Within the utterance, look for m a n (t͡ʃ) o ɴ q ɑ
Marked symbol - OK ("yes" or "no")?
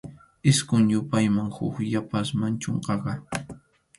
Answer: yes